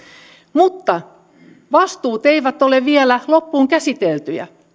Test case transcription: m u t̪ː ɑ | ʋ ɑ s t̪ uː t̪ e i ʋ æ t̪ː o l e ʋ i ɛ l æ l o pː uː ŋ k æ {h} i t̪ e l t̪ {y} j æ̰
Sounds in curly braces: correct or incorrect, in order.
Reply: incorrect: s, correct

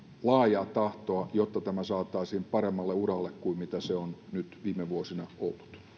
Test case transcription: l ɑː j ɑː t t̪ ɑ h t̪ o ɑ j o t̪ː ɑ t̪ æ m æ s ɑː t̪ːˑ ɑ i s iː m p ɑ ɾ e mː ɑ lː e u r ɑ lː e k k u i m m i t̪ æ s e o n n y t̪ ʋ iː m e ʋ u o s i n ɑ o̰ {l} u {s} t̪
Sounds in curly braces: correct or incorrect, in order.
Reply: incorrect: lː, incorrect: none

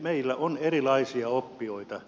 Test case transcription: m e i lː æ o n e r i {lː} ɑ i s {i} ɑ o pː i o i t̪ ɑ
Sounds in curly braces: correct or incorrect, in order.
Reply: incorrect: l, correct

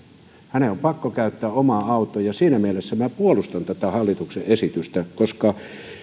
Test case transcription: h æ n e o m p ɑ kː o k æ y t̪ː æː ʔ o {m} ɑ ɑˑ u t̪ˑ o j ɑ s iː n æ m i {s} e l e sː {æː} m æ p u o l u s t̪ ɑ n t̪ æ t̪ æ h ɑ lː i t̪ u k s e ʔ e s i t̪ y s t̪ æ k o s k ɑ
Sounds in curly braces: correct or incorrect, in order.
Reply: correct, incorrect: none, incorrect: æ

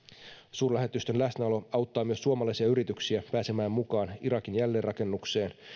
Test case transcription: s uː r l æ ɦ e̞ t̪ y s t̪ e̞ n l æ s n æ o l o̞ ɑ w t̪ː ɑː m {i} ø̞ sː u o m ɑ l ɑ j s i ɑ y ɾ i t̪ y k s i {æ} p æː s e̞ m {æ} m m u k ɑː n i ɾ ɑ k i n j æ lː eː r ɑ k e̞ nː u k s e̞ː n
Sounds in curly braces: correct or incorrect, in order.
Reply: incorrect: y, correct, incorrect: æː

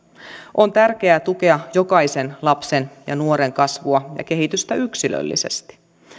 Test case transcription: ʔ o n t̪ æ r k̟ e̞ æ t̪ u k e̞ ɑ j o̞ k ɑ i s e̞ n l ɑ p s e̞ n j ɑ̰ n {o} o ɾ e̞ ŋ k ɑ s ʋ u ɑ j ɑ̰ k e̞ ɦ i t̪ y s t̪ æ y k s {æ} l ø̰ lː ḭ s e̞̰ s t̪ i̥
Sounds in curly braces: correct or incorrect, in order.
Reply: incorrect: u, incorrect: i

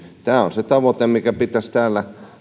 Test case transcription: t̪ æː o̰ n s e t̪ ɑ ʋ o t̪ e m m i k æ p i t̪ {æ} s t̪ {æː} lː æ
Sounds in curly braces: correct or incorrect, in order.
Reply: correct, correct

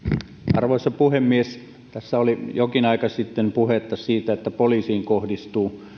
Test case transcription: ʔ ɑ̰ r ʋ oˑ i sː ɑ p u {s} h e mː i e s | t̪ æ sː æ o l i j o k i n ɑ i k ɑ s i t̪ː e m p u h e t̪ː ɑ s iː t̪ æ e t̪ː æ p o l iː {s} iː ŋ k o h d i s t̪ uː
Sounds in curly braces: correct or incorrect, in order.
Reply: incorrect: none, correct

